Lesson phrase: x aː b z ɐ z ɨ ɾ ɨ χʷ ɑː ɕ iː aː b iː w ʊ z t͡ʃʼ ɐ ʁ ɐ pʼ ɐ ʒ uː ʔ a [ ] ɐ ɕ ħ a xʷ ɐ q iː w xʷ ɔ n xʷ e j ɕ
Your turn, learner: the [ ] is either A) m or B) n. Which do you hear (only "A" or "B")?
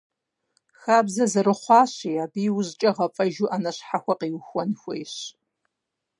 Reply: B